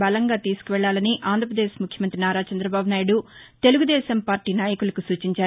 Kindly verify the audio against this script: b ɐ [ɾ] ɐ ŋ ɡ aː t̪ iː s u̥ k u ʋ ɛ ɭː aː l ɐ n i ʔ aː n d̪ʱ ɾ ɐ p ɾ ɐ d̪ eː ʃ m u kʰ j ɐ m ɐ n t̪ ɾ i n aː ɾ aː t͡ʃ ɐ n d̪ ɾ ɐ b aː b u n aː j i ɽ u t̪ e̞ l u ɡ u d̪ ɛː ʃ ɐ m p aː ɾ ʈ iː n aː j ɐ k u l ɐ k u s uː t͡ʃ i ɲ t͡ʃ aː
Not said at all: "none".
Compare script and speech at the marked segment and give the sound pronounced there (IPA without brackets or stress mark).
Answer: l